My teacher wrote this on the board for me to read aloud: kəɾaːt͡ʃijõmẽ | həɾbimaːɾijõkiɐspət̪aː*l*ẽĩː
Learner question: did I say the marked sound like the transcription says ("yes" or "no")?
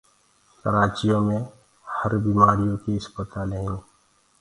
yes